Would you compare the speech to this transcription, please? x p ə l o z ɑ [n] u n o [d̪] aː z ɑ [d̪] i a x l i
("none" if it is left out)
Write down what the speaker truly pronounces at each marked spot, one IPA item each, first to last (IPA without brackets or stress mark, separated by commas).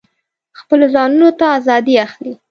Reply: n, t̪, d̪